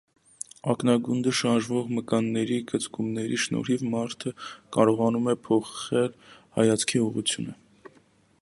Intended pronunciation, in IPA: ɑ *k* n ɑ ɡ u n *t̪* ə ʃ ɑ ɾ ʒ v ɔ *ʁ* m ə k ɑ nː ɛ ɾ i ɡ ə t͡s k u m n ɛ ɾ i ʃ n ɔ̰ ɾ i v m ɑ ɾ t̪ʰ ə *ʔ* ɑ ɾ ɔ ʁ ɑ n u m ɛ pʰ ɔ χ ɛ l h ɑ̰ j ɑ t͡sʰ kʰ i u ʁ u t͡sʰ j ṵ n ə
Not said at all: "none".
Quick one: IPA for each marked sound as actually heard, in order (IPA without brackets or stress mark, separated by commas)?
k, d̪, ʁ, k